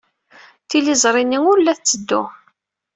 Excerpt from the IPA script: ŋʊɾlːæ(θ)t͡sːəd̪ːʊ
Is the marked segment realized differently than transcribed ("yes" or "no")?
no